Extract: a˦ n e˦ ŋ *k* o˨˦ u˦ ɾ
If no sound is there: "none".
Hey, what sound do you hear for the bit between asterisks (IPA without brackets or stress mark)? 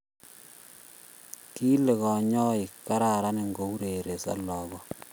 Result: ɡ